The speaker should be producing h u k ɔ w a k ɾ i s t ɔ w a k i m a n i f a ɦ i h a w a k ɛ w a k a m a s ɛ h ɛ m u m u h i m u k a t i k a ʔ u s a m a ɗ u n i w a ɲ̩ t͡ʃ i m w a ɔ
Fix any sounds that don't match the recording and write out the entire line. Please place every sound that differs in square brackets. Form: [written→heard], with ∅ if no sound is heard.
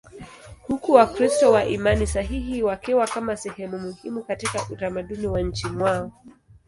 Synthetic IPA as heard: h u k [ɔ→u] w a k ɾ i s t ɔ w a [k→ʔ] i m a n i [f→s] a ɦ i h [a→i] w a k ɛ w a k a m a s ɛ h ɛ m u m u h i m u k a t i k a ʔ u [s→t] a m a ɗ u n i w a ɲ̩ t͡ʃ i m w a ɔ